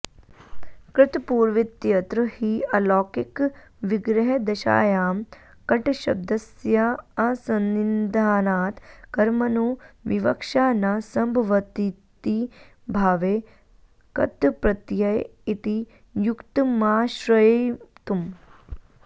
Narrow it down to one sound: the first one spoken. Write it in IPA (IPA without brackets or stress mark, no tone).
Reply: k